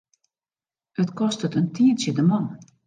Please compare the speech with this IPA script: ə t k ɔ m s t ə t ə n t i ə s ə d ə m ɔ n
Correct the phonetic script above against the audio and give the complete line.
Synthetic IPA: ə t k ɔ s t ə t ə n t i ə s ə d ə m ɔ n